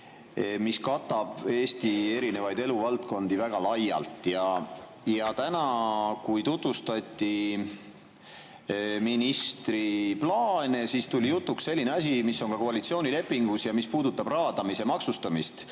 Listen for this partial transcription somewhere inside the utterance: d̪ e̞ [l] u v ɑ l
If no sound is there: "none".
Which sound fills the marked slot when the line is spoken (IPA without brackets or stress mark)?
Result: l